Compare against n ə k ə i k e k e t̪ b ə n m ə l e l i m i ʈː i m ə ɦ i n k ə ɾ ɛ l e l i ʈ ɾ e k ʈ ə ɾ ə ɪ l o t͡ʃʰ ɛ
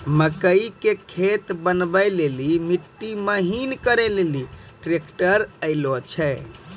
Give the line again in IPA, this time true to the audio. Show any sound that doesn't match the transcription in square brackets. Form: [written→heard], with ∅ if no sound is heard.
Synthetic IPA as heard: [n→m] ə k ə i k e [k→kʰ] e t̪ b ə n [m→b] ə l e l i m i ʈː i m ə ɦ i n k ə ɾ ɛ l e l i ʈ ɾ e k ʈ ə ɾ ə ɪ l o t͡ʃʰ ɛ